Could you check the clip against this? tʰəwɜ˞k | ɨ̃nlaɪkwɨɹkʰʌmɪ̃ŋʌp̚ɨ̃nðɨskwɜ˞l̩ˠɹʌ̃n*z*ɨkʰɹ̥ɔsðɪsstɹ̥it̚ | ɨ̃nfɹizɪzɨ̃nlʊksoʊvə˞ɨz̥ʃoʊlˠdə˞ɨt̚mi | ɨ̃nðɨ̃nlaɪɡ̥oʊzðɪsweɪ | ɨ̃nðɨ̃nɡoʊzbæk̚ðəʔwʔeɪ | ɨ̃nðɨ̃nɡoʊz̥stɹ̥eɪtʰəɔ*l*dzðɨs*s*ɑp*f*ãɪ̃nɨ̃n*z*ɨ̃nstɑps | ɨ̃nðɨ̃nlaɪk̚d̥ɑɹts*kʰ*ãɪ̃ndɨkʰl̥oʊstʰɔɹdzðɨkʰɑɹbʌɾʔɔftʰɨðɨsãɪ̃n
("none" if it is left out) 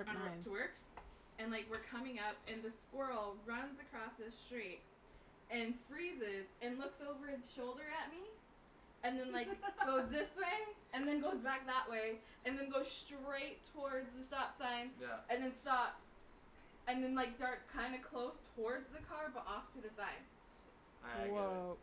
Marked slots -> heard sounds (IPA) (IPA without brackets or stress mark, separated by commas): z, ɹ, t, s, ð, kʰ